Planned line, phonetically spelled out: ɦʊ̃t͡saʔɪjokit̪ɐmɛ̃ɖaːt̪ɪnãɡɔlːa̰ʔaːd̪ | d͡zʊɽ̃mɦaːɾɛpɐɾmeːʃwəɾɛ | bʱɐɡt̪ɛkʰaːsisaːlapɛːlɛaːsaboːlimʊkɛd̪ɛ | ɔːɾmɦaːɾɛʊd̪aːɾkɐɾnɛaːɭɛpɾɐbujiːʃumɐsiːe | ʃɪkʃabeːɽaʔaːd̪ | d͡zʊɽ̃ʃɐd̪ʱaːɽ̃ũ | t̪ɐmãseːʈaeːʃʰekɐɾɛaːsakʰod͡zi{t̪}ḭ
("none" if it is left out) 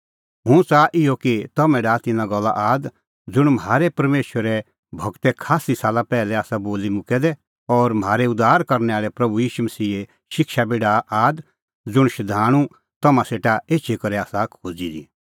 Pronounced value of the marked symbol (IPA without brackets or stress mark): d̪